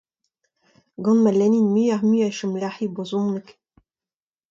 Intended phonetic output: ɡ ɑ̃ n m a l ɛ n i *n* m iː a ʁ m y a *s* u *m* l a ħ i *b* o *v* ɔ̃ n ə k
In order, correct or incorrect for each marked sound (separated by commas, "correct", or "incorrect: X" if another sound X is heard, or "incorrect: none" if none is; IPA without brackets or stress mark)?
correct, incorrect: ʃ, correct, correct, incorrect: z